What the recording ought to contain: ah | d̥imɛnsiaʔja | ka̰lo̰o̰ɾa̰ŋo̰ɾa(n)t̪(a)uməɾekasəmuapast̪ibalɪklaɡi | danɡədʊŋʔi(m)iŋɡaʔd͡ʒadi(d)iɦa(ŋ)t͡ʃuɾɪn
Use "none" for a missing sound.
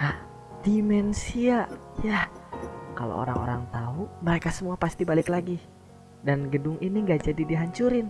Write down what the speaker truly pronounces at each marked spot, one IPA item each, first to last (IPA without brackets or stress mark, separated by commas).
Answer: ŋ, a, n, d, ɲ